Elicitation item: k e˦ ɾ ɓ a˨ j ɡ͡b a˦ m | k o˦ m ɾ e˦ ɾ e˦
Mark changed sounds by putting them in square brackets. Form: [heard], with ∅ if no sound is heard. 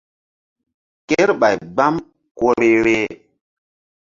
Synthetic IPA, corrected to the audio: k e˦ ɾ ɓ a˨ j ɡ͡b a˦ m | k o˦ [∅] ɾ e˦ ɾ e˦